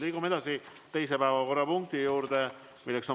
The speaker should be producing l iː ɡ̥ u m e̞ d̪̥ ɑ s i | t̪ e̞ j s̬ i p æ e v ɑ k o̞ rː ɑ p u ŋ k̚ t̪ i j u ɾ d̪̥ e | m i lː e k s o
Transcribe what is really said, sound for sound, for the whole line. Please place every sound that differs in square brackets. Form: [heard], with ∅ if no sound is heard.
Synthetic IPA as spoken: l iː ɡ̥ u m e̞ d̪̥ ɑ s i | t̪ e̞ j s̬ [e] p æ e v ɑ k o̞ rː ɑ p u ŋ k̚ t̪ i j [uː] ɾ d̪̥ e | m i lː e k s o